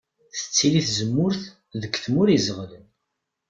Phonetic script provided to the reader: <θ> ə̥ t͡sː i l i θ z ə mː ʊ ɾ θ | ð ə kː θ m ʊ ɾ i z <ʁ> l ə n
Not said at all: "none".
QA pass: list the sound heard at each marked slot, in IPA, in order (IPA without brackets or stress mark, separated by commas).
θ, ʁ